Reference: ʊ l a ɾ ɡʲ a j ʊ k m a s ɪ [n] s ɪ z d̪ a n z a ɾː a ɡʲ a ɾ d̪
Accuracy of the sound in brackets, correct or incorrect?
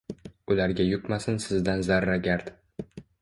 correct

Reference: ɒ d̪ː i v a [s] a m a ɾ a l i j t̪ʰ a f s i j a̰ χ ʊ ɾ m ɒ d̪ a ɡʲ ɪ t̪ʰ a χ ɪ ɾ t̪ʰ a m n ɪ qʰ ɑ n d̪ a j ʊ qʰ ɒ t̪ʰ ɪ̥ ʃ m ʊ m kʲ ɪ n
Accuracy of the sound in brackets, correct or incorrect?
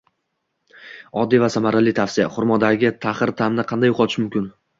correct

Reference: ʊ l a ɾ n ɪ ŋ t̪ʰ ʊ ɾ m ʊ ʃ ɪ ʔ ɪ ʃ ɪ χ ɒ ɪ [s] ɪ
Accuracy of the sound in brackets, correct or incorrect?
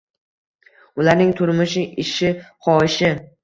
incorrect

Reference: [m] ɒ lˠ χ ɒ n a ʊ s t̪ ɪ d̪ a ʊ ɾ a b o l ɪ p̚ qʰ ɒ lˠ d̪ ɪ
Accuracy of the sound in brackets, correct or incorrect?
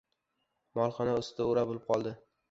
correct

